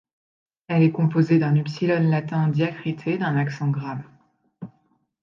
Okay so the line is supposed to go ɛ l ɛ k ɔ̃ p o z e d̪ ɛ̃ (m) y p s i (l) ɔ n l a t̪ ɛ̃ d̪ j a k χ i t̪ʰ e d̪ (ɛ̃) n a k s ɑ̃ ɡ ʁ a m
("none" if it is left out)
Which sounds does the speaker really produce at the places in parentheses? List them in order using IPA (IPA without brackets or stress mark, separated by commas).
n, l, ɛ̃